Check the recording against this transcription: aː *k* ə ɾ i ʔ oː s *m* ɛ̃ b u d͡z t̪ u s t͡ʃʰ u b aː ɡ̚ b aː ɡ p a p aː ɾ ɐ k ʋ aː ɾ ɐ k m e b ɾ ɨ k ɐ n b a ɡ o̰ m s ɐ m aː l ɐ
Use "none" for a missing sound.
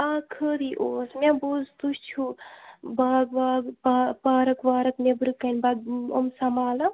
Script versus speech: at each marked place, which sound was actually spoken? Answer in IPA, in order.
kʰ, m

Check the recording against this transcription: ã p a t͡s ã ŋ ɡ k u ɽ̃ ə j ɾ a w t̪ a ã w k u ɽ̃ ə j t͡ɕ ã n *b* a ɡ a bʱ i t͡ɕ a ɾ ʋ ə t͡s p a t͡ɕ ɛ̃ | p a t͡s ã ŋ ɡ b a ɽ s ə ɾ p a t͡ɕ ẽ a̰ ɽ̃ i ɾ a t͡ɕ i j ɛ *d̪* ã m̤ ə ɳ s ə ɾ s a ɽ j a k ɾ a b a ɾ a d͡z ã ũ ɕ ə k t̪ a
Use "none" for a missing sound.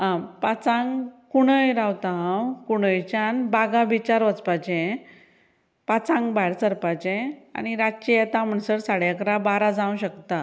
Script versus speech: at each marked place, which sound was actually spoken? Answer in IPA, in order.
b, t̪

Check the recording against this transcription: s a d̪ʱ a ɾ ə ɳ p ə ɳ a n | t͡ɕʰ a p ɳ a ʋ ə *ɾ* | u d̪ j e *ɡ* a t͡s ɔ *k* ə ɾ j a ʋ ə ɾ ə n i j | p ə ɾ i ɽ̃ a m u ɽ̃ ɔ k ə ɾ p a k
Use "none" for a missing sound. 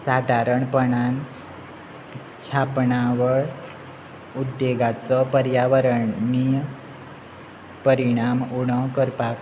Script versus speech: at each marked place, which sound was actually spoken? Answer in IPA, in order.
ɭ, ɡ, p

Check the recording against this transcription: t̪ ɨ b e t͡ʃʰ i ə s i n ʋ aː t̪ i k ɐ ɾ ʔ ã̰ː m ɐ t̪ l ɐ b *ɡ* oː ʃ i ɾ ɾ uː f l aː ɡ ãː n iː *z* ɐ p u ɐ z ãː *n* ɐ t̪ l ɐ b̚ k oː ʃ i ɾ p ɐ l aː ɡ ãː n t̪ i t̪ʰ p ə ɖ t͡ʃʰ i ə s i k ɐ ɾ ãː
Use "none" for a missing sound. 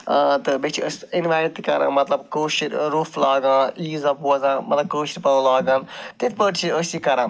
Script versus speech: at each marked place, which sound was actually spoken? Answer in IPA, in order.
k, z, m

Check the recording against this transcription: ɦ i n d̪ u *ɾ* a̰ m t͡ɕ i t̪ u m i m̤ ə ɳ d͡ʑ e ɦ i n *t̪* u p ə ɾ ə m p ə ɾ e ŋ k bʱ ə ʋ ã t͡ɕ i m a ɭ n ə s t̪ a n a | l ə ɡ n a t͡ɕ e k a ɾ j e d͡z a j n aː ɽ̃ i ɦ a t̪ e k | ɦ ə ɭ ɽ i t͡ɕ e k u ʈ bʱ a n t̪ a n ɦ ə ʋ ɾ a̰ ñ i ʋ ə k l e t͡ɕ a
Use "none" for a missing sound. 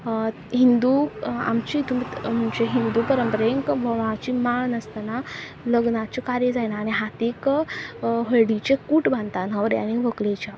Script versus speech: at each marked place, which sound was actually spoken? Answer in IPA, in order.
none, d̪

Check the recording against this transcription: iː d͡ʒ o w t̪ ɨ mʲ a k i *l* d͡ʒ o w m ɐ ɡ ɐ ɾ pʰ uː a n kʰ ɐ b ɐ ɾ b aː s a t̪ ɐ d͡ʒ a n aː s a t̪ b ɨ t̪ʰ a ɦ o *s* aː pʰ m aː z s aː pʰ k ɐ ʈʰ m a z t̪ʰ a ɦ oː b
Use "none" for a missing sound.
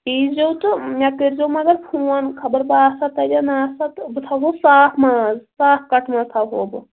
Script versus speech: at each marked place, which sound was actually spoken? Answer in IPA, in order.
ɾ, s

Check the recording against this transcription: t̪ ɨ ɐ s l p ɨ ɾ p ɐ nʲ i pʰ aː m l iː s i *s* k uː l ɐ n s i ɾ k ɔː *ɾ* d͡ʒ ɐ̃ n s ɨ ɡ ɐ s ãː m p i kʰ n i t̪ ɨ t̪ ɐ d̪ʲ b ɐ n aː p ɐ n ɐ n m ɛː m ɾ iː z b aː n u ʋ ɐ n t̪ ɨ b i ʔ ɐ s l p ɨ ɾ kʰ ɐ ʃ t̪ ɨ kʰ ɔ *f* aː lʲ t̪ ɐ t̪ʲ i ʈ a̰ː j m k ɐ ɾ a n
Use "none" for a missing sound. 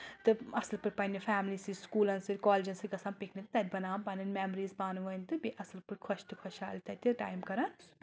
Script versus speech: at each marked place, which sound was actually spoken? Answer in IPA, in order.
s, l, ʃ

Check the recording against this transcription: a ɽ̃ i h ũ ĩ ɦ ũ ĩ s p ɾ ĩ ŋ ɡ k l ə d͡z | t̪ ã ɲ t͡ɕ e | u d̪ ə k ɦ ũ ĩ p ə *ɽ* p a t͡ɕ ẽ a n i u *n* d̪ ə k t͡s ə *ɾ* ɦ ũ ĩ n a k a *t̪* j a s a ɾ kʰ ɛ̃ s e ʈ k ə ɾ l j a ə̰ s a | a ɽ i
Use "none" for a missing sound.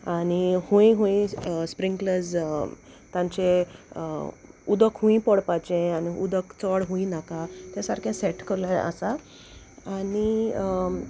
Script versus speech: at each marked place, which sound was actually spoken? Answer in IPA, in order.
ɽ, none, ɽ, t̪

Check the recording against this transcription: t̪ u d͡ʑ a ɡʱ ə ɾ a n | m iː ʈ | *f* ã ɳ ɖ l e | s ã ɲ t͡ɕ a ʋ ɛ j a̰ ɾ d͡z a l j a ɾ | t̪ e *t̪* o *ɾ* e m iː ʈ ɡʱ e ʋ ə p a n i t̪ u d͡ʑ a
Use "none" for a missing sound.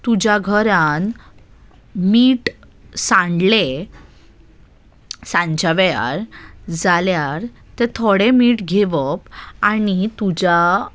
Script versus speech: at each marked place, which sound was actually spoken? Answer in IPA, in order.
s, t̪ʰ, ɽ

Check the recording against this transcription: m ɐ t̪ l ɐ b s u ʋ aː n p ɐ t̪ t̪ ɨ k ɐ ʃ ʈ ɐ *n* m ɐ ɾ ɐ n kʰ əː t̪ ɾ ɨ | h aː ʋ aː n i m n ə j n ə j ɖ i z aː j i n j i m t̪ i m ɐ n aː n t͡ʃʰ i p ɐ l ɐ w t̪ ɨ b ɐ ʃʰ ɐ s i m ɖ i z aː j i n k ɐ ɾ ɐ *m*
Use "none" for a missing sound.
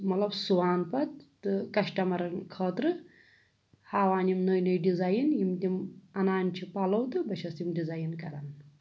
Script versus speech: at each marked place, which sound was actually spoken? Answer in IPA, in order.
none, n

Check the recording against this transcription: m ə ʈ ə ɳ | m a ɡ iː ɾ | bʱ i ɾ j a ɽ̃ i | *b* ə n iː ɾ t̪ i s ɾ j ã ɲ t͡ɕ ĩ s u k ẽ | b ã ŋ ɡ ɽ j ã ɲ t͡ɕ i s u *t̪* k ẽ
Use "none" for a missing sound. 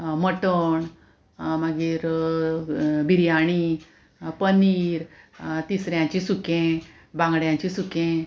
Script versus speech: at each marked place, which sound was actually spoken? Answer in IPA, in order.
p, none

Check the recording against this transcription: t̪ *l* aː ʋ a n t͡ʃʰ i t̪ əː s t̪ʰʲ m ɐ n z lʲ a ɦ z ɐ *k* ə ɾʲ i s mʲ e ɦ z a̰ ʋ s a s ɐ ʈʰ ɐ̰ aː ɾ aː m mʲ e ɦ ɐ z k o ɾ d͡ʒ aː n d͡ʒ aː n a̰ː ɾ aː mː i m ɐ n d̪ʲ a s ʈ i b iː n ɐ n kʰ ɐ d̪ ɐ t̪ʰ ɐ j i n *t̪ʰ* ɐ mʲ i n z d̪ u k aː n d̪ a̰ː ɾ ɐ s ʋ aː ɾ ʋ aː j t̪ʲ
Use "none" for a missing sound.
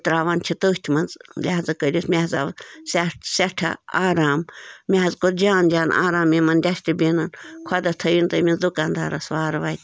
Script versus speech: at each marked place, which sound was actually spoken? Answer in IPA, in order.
ɾ, k, t̪

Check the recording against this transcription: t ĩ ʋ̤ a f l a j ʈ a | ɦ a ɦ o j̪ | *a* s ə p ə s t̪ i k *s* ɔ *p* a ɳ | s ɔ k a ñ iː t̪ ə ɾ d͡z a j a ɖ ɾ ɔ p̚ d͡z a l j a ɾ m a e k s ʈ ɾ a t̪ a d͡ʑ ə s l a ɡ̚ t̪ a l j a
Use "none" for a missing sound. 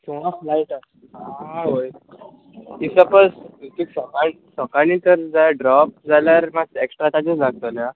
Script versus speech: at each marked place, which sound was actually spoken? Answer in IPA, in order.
i, s, k

